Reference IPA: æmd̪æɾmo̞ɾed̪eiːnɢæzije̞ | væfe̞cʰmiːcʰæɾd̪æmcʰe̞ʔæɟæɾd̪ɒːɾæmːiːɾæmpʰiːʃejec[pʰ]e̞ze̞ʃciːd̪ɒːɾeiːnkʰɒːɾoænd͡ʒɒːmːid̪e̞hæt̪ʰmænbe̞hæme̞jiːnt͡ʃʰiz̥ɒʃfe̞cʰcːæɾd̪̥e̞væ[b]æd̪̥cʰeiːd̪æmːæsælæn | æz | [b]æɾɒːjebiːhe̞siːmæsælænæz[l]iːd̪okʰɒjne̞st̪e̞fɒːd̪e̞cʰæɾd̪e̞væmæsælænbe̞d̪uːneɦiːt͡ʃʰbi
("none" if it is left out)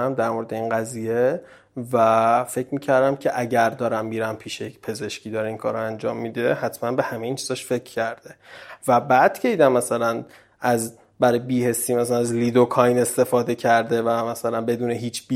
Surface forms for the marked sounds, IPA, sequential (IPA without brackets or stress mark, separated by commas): pʰ, b, b, l